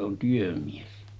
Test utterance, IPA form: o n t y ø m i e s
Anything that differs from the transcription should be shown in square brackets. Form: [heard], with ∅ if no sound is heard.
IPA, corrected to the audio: o n t y ø m i e s